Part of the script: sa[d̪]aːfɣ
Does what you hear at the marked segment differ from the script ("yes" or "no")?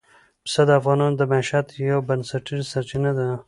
no